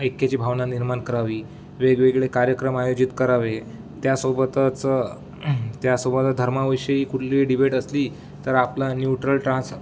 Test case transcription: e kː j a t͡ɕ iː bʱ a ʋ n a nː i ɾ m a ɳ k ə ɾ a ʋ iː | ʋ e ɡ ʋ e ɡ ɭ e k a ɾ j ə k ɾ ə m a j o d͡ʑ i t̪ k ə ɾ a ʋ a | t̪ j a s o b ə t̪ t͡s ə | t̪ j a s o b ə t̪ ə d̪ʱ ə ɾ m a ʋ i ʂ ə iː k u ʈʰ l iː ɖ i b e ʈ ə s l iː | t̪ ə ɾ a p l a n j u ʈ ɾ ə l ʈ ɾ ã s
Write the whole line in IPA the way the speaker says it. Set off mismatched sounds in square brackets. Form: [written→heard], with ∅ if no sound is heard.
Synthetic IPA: e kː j a t͡ɕ iː bʱ a ʋ n a [nː→n] i ɾ m a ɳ k ə ɾ a ʋ iː | ʋ e ɡ ʋ e ɡ ɭ e k a ɾ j ə k ɾ ə m a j o d͡ʑ i t̪ k ə ɾ a ʋ [a→e] | t̪ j a s o b ə t̪ t͡s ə | t̪ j a s o b ə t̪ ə d̪ʱ ə ɾ m a ʋ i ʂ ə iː k u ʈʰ l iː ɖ i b e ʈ ə s l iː | t̪ ə ɾ a p l a n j u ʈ ɾ ə l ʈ ɾ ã s